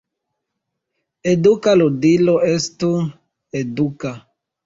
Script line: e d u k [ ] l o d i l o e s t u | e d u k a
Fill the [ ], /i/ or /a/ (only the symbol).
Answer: a